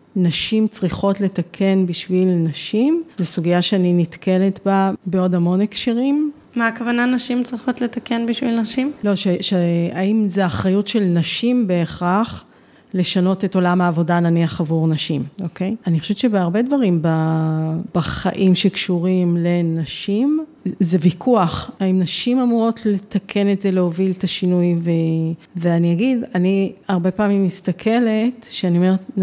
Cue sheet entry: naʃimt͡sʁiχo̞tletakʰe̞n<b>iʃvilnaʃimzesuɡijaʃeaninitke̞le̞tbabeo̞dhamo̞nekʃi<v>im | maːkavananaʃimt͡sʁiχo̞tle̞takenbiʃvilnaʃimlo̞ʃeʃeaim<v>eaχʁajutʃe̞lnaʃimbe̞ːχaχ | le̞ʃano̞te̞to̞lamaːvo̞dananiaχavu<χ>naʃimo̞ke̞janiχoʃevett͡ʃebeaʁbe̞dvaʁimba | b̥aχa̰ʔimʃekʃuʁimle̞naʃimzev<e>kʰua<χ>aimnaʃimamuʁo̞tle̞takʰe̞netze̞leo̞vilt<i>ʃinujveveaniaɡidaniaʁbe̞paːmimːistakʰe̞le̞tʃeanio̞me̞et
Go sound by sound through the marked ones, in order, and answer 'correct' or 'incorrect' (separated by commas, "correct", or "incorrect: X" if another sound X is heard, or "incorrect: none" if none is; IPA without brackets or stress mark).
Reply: correct, incorrect: ʁ, incorrect: z, incorrect: ʁ, incorrect: i, correct, incorrect: a